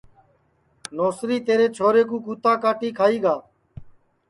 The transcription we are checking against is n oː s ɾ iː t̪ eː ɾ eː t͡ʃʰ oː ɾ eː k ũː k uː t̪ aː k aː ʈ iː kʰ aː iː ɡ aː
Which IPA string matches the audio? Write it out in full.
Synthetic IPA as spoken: n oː s ɾ iː t̪ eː ɾ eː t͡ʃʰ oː ɾ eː k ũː k uː t̪ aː k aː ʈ iː kʰ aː iː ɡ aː